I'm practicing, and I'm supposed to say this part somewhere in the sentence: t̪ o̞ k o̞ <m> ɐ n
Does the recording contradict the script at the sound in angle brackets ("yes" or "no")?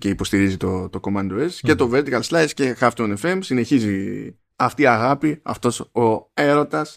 no